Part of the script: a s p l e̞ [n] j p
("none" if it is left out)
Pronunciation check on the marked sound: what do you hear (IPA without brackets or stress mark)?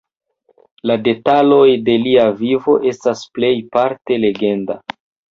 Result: none